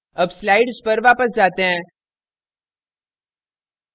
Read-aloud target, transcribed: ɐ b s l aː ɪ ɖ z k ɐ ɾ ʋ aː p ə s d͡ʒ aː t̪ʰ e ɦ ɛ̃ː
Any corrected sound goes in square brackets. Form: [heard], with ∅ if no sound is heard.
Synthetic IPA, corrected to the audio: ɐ b s l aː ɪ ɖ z [p] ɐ ɾ ʋ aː p ə s d͡ʒ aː [t̪] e ɦ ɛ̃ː